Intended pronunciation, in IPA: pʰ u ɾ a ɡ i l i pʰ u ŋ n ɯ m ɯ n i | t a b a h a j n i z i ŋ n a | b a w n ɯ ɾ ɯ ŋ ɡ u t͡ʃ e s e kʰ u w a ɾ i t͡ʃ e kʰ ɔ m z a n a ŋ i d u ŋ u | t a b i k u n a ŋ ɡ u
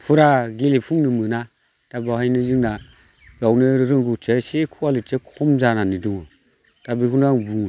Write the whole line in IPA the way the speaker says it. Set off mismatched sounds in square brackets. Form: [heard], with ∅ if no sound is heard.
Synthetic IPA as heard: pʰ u ɾ a ɡ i l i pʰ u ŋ n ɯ m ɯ n [a] | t a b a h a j n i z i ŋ n a | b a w n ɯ ɾ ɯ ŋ ɡ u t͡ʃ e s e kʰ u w a [l] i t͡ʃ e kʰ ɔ m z a n a [n] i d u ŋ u | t a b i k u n a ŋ [b] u